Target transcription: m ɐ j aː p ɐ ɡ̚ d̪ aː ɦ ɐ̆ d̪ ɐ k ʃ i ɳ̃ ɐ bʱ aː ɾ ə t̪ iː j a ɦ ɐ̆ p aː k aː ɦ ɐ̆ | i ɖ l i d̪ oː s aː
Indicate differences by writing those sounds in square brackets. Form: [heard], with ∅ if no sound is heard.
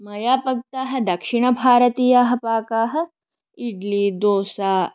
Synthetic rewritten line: m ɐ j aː p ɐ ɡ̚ [t̪] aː ɦ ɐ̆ d̪ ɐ k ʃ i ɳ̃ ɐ bʱ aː ɾ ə t̪ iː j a ɦ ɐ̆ p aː k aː ɦ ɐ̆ | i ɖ l i d̪ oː s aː